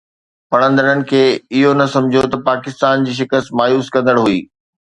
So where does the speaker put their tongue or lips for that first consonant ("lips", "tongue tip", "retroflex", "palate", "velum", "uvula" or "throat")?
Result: lips